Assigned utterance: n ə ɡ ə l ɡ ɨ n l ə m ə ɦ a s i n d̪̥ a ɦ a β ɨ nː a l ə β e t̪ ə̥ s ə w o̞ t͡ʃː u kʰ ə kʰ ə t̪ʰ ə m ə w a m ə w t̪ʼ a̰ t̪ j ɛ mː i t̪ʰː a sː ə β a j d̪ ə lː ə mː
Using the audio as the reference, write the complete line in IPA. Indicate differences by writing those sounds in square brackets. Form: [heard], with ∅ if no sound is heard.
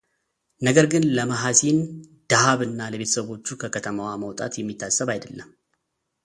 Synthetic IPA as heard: n ə ɡ ə [ɾ] ɡ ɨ n l ə m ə ɦ a s i n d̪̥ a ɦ a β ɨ nː a l ə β e t̪ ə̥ s ə [β] o̞ t͡ʃː u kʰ ə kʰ ə t̪ʰ ə m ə w a m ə w t̪ʼ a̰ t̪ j ɛ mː i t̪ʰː a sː ə β a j d̪ ə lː ə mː